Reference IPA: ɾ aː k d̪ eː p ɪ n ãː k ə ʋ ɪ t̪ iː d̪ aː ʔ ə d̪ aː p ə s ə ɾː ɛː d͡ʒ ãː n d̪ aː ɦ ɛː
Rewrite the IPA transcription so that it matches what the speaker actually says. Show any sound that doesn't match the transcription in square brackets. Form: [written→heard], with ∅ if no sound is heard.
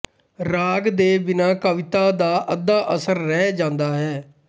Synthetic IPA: ɾ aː [k→ɡ] d̪ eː [p→b] ɪ n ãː k ə ʋ ɪ t̪ [iː→aː] d̪ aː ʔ ə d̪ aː [p→ʔ] ə s ə ɾː ɛː d͡ʒ ãː n d̪ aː ɦ ɛː